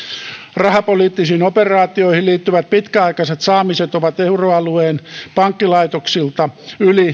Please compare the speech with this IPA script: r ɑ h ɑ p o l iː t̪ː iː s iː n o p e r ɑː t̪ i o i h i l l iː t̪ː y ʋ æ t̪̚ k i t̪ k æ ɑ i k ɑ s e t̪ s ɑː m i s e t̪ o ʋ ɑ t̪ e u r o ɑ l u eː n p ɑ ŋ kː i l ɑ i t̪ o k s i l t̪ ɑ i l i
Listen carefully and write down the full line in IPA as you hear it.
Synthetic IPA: r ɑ h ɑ p o l iː t̪ː i s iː n o p e r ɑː t̪ i o i h i l l iː t̪ː y ʋ æ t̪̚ p i t̪ k æ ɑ i k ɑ s e t̪ s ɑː m i s e t̪ o ʋ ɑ t̪ e u r o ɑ l u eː n p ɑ ŋ kː i l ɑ i t̪ o k s i l t̪ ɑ y l i

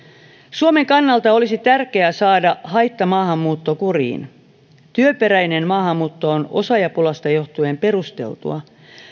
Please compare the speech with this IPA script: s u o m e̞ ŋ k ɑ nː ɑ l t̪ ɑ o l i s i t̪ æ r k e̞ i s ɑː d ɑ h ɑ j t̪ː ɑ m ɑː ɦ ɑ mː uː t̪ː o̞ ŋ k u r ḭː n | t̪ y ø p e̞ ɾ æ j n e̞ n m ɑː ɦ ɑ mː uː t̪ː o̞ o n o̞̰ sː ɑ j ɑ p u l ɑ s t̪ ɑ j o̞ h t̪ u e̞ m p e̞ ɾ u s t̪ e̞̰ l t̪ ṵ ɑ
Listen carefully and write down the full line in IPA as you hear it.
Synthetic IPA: s u o m e̞ ŋ k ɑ nː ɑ l t̪ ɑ o l i s i t̪ æ r k e̞ æ s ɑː d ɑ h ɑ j t̪ː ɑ m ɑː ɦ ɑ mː uː t̪ː o̞ k u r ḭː n | t̪ y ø p e̞ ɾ æ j n e̞ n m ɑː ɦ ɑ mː uː t̪ː o̞ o n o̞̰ s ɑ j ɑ p u l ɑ s t̪ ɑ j o̞ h t̪ u e̞ m p e̞ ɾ u s t̪ e̞̰ l t̪ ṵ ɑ

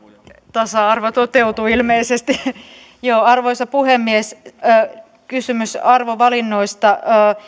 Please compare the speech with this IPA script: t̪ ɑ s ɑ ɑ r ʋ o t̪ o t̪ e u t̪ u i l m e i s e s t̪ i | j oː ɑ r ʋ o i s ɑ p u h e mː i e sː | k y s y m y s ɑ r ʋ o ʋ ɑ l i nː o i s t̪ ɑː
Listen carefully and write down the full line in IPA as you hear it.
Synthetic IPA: t̪ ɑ s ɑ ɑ r ʋ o t̪ o t̪ e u t̪ u i l m e i s e s t̪ i | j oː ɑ r ʋ o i s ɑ p u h e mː i e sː | k y s y m y s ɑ r ʋ o ʋ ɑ l i nː o i s t̪ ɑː

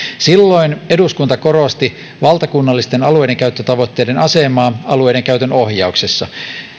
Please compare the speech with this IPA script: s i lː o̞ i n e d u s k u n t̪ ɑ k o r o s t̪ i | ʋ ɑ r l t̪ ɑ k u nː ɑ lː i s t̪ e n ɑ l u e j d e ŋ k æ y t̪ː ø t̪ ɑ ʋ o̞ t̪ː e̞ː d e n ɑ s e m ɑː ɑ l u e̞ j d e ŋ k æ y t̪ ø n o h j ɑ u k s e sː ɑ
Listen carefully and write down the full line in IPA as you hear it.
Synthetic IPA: s i lː o̞ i n e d u s k u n t̪ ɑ k o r o s t̪ i | ʋ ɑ l t̪ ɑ k u nː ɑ lː i s t̪ e n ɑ l u e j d e ŋ k æ y t̪ː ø t̪ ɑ ʋ o̞ t̪ː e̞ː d e n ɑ s e m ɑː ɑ l u e̞ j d e ŋ k æ y t̪ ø n o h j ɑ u k s e sː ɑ

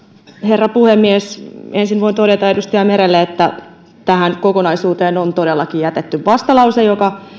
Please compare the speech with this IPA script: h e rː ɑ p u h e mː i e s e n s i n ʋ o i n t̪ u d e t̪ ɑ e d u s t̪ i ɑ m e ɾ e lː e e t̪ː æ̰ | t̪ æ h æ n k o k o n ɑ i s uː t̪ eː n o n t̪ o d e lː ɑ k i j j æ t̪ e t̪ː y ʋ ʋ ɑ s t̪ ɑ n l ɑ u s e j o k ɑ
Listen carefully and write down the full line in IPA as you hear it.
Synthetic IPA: h e rː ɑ p u h e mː i e s e n s i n ʋ o i n t̪ o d e t̪ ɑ e d u s t̪ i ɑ m e ɾ e lː e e t̪ː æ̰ | t̪ æ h æ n k o k o n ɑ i s uː t̪ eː n o n t̪ o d e lː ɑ k i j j æ t̪ e t̪ː y ʋ ʋ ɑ s t̪ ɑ l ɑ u s e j o k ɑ

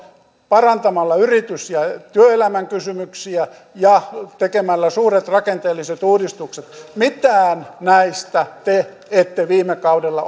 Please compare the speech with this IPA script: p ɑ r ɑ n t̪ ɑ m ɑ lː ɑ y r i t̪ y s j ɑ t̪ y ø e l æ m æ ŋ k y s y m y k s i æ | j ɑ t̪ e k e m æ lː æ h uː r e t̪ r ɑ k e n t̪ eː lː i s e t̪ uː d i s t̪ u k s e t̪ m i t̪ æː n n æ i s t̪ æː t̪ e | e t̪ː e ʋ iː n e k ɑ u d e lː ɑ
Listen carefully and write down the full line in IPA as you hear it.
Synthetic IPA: p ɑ r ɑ n t̪ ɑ m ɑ lː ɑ y r i t̪ y s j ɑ t̪ y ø e l æ m æ ŋ k y s y m y k s i æ | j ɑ t̪ e k e m æ lː æ s uː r e t̪ r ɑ k e n t̪ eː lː i s e t̪ uː d i s t̪ u k s e t̪ m i t̪ æː n n æ i s t̪ æ t̪ e | e t̪ː e ʋ iː m e k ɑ u d e lː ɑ

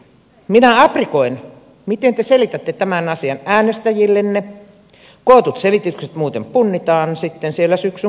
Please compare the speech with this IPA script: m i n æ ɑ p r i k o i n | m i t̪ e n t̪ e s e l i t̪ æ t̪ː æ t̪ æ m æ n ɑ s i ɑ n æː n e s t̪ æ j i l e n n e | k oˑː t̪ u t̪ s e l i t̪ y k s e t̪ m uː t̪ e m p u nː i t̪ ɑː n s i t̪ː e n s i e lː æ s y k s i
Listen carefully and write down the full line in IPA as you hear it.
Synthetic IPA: m i n æ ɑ p r i k o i n | m i t̪ e n t̪ e s e l i t̪ æ t̪ː e t̪ æ m æ n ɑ s i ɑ n æː n e s t̪ æ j i lː e n n e | k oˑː t̪ u t̪ s e l i t̪ y k s e t̪ m uː t̪ e m p u nː i t̪ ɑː n s i t̪ː e n s i e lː æ s y k s y

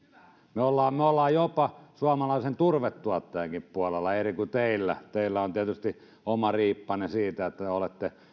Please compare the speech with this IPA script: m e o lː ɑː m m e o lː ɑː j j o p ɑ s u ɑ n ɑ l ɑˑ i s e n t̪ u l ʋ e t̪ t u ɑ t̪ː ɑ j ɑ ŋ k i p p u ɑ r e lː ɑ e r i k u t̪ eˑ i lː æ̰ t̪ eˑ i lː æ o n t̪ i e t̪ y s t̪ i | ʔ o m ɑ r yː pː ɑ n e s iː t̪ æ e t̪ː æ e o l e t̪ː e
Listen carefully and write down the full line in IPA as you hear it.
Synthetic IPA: m e o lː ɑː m m e o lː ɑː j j o p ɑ s u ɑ m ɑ l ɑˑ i s e n t̪ u r ʋ e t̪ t u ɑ t̪ː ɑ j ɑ ŋ k i p p u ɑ l e lː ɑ e r i k u t̪ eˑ i lː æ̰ t̪ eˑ i lː æ o n t̪ i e t̪ y s t̪ i | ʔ o m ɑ r iː pː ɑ n e s iː t̪ æ e t̪ː æ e o l e t̪ː e

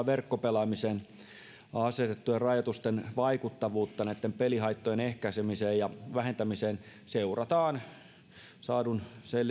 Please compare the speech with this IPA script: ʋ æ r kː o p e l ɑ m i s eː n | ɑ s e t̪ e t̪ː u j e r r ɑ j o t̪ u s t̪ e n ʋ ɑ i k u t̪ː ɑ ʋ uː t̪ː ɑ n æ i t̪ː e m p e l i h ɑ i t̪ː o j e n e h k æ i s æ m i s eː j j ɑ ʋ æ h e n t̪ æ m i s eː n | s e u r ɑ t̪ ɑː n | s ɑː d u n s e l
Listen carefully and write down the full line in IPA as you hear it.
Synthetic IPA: ʋ e r kː o p e l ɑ m i s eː n | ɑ s e t̪ e t̪ː u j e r r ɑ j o t̪ u s t̪ e n ʋ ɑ i k u t̪ː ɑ ʋ uː t̪ː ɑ n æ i t̪ː e m p e l i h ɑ i t̪ː o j e n e h k æ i s e m i s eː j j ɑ ʋ æ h e n t̪ æ m i s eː n | s e u r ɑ t̪ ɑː n | s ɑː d u n s e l

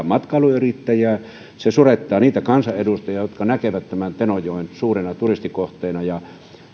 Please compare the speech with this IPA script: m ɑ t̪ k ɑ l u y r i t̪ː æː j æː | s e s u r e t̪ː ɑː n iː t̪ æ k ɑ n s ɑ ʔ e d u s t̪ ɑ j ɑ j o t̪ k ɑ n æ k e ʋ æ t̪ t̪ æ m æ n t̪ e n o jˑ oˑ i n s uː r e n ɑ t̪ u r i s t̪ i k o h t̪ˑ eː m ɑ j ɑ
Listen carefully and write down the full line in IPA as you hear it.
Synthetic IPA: m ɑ t̪ k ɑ l u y r i t̪ː æ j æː | s e s u r e t̪ː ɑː n iː t̪ æ k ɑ n s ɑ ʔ e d u s t̪ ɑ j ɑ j o t̪ k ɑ n æ k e ʋ æ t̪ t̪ æ m æ n t̪ e n o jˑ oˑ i n s uː r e n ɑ t̪ u r i s t̪ i k o h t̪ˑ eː n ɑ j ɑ

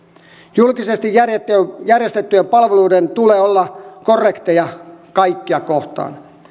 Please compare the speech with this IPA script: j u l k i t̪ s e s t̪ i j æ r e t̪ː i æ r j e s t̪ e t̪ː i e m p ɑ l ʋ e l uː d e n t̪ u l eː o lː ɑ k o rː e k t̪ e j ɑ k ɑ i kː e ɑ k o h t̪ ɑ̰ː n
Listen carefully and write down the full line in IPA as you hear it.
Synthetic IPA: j u l k i s e s t̪ i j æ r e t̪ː j æ r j e s t̪ e t̪ː y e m p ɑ l ʋ e l uː d e n t̪ u l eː o lː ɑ k o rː e k t̪ e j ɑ k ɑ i kː i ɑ k o h t̪ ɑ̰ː n

